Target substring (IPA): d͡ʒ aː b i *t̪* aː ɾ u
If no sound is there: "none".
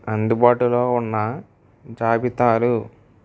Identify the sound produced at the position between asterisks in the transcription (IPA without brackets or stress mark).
t̪